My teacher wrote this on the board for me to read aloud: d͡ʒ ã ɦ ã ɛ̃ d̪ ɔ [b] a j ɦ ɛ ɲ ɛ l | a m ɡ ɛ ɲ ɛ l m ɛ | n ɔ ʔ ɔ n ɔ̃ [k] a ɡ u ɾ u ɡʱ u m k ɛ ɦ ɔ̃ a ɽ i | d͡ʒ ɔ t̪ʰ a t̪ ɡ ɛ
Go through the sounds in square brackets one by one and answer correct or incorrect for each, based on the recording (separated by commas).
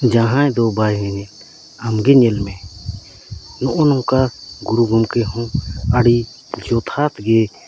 correct, correct